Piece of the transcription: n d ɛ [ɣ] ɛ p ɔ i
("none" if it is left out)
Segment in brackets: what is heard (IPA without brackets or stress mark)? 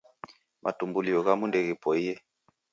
ɣ